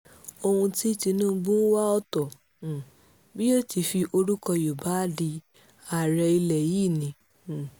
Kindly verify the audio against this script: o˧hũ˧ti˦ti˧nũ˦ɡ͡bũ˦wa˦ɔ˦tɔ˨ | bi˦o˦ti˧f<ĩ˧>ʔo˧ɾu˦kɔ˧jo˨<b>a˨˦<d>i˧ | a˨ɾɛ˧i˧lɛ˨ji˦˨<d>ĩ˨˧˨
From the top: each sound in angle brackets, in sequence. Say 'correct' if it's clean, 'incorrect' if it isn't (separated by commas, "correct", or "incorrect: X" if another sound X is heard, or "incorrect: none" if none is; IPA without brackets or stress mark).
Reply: incorrect: i˧, correct, correct, incorrect: n